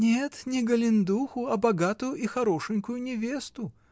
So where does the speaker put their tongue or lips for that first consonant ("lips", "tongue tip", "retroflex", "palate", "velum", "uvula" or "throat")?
tongue tip